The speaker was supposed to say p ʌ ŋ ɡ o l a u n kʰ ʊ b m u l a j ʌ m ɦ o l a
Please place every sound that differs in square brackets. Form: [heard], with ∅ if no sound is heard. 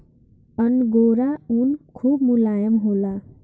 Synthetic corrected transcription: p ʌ [n] ɡ o [ɾ] a u n kʰ [u] b m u l a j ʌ m ɦ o l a